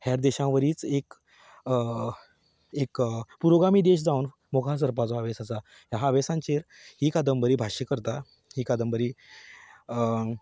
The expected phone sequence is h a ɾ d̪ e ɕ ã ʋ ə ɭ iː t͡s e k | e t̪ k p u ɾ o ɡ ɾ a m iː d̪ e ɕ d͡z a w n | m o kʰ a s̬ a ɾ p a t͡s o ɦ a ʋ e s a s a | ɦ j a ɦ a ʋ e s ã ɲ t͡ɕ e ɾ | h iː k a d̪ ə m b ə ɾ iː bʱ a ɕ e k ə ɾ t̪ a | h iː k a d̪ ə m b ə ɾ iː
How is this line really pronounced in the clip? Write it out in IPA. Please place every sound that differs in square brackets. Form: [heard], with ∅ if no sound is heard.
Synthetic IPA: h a ɾ d̪ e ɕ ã ʋ ə [ɾ] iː t͡s e k | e [∅] k p u ɾ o ɡ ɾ a m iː d̪ e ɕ d͡z a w n | m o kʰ a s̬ [ə] ɾ p a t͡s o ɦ a ʋ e s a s a | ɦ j a ɦ a ʋ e s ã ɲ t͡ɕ e ɾ | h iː k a d̪ ə m b ə ɾ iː bʱ a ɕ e k ə ɾ t̪ a | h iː k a d̪ ə m b ə ɾ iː